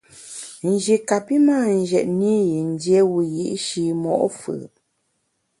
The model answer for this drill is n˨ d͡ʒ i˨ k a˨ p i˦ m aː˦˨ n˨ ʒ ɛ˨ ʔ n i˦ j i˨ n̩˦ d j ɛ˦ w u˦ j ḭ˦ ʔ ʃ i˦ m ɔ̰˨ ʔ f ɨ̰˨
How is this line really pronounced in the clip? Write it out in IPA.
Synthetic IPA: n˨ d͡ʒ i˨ k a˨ p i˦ m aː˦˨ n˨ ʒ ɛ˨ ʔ n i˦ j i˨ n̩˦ d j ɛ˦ w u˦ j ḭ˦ ʔ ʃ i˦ m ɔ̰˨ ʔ f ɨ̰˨